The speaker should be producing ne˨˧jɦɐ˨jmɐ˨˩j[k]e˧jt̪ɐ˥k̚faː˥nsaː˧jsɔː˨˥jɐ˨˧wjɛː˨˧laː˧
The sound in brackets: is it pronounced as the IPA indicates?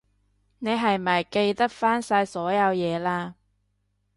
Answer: yes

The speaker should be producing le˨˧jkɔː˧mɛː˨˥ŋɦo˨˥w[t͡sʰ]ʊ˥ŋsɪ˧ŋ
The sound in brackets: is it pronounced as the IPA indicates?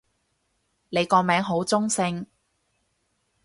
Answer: no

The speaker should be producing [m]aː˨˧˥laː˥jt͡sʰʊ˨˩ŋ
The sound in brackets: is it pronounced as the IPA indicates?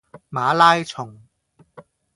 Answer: yes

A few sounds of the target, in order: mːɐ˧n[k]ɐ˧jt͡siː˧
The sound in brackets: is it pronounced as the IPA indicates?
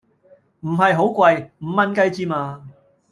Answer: yes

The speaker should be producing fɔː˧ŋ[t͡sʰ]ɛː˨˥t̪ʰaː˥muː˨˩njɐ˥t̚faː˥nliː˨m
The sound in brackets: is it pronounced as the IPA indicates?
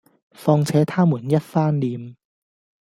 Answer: yes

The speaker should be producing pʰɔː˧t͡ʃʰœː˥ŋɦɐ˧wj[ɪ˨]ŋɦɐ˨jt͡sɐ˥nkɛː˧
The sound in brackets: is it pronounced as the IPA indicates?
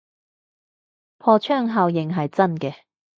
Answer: yes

